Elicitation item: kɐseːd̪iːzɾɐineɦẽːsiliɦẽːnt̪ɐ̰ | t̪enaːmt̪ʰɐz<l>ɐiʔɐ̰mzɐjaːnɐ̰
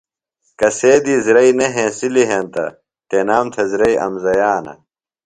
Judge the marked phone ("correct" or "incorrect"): incorrect